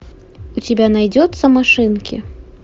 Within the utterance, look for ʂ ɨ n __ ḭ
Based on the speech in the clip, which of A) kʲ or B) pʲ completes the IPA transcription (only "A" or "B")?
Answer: A